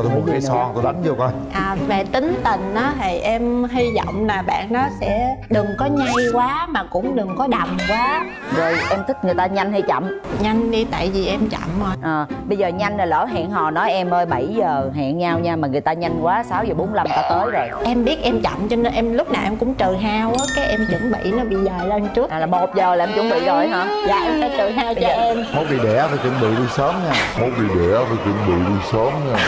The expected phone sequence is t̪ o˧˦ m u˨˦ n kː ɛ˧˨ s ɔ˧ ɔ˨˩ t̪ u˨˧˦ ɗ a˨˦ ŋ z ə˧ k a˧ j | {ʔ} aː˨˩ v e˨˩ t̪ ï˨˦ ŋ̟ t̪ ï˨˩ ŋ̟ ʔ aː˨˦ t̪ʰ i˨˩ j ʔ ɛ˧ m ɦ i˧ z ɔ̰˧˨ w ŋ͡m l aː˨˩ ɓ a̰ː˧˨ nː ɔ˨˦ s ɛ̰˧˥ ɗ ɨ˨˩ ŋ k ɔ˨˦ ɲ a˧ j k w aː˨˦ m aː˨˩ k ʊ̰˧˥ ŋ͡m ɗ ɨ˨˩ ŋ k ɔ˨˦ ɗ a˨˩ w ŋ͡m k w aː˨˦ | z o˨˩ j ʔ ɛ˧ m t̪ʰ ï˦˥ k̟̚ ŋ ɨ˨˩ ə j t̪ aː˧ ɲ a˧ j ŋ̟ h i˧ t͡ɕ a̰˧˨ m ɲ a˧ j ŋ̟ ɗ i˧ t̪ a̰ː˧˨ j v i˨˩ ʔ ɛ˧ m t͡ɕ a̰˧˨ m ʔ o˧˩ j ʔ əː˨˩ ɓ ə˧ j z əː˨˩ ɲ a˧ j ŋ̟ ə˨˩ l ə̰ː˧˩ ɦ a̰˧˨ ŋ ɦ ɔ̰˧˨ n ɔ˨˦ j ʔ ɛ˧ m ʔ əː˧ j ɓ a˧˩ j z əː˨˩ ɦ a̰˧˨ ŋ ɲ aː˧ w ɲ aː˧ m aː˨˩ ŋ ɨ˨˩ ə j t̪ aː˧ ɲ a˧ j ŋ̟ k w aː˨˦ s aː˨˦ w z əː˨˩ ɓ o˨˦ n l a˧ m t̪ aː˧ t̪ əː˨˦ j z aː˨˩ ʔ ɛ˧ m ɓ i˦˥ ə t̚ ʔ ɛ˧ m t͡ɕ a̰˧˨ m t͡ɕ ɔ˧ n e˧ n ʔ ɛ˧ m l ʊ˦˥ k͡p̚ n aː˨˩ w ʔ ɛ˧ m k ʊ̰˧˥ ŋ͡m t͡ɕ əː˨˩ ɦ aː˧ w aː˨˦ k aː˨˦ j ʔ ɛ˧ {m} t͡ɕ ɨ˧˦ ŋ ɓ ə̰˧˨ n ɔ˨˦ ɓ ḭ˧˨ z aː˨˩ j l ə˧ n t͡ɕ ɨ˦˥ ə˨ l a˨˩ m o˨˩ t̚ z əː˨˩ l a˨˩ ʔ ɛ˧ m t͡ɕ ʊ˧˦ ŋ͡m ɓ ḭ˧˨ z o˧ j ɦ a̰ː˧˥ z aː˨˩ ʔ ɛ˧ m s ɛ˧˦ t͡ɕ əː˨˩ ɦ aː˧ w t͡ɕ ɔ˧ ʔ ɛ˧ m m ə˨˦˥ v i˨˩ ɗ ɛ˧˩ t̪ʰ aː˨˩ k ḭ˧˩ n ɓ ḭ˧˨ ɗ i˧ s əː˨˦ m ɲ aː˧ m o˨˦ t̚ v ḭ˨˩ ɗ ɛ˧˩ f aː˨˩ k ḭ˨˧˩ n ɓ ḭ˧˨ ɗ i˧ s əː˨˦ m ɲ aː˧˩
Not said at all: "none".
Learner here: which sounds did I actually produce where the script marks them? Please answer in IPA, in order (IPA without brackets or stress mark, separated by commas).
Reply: ʔ, m